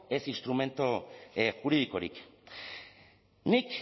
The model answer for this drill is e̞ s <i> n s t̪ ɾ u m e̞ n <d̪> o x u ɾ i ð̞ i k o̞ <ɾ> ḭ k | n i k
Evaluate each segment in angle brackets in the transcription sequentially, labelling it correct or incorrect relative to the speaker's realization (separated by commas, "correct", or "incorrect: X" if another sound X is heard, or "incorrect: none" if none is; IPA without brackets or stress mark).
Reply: correct, incorrect: t̪, correct